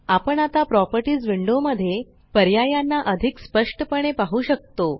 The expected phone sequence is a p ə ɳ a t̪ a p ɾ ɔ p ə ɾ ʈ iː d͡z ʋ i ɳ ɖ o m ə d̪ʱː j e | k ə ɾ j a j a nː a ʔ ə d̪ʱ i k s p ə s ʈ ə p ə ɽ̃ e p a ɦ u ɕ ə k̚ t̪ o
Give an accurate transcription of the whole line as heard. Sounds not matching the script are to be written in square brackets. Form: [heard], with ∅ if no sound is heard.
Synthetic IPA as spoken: a p ə ɳ a t̪ a p ɾ ɔ p ə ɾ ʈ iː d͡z ʋ i ɳ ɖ o m ə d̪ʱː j e | [p] ə ɾ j a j a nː a ʔ ə d̪ʱ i k s p ə [ʂ] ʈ ə p ə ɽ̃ e p a ɦ u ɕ ə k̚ t̪ o